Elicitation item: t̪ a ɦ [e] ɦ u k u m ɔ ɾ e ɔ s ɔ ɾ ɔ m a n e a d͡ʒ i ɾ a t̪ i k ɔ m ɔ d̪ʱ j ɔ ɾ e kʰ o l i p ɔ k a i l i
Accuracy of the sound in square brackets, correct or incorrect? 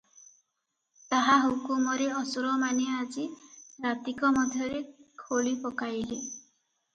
incorrect: a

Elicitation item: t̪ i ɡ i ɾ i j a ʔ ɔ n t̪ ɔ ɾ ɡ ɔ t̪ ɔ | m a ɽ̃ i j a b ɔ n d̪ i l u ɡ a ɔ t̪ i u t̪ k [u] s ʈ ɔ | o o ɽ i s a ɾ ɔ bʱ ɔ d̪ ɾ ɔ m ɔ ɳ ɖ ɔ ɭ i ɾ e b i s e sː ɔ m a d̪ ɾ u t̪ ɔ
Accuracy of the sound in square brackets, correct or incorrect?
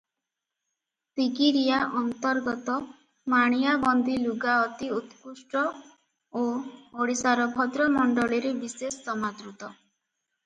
correct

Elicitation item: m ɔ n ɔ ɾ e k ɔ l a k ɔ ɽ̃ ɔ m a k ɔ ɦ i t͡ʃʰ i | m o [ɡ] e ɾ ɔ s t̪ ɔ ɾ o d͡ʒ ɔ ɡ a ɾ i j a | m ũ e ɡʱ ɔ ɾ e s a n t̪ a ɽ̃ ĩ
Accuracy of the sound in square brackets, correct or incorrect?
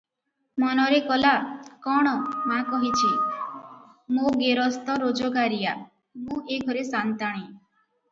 correct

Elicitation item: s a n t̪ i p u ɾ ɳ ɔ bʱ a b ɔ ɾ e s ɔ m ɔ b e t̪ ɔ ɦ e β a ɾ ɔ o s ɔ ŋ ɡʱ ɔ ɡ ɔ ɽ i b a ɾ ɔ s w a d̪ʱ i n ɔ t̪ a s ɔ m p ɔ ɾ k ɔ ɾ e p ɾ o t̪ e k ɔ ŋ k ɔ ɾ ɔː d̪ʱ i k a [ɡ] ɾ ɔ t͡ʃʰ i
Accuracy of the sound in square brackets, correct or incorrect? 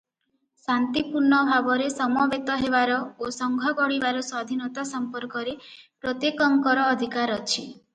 incorrect: none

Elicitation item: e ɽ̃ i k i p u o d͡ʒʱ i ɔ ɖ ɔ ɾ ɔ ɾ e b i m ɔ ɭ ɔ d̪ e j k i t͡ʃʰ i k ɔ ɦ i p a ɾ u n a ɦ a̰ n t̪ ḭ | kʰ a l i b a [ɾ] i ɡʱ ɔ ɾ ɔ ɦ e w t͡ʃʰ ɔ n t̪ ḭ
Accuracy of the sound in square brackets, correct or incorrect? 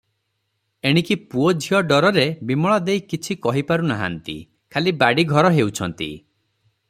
incorrect: ɽ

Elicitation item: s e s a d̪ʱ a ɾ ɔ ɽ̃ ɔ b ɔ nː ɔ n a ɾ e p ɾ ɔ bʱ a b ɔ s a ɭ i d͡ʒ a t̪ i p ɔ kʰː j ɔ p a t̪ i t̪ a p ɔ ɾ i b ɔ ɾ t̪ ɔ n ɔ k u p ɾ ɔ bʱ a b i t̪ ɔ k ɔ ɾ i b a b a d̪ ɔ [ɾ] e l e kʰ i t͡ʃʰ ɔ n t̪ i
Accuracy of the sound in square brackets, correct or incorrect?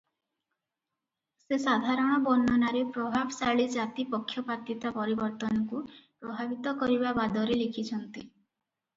correct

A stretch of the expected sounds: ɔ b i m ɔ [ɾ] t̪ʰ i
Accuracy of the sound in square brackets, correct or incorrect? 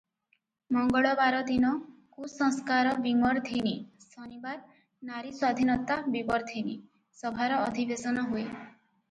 correct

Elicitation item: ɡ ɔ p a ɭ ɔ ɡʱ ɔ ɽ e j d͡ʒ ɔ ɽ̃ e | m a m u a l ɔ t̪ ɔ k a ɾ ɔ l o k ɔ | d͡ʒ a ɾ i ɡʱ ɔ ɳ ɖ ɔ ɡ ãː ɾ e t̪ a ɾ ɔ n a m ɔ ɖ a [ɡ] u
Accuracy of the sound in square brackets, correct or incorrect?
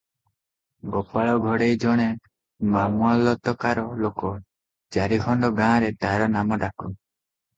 incorrect: k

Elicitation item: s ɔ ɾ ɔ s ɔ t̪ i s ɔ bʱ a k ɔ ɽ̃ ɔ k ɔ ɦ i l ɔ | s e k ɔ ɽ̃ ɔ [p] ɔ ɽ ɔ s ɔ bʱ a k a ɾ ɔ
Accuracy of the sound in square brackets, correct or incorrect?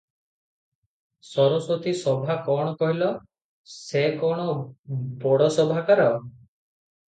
incorrect: b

